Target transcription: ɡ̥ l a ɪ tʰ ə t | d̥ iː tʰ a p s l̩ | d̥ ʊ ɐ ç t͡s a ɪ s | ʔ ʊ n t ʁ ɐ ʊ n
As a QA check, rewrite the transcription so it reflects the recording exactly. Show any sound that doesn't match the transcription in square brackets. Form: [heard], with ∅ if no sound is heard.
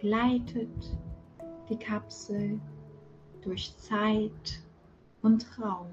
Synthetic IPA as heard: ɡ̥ l a ɪ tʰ ə t | d̥ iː [kʰ] a p s l̩ | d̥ ʊ ɐ ç t͡s a ɪ [t] | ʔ ʊ n t ʁ [a] ʊ [m]